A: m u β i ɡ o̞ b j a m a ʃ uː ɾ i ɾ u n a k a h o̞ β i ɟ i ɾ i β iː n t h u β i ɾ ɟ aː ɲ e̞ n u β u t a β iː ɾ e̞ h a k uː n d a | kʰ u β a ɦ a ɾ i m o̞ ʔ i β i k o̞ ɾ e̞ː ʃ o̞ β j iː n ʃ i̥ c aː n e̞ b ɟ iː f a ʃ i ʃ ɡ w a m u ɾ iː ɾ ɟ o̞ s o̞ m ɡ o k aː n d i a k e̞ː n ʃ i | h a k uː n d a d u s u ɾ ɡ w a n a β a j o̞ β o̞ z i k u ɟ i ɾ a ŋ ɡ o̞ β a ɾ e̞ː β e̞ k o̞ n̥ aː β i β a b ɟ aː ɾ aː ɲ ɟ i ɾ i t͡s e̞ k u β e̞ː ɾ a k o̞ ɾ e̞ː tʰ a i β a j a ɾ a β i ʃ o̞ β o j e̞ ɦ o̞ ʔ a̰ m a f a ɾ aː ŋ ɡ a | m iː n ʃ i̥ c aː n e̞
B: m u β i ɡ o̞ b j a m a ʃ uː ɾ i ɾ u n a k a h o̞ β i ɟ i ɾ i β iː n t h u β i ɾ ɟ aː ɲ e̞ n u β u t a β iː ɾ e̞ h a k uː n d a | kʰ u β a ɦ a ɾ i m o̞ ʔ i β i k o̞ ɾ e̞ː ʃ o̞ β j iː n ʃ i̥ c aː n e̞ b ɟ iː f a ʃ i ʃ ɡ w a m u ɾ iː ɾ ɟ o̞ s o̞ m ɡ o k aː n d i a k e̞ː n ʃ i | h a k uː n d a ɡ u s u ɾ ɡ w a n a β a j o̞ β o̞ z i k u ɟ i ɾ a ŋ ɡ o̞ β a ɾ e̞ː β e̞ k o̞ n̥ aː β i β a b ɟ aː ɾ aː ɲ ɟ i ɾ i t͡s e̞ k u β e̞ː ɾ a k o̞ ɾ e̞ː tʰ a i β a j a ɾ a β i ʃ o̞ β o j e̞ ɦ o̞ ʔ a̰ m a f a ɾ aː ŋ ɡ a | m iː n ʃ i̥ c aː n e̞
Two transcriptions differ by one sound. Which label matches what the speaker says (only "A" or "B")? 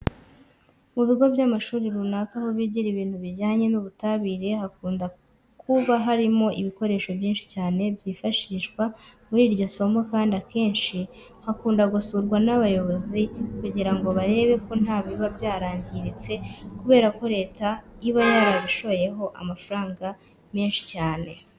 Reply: B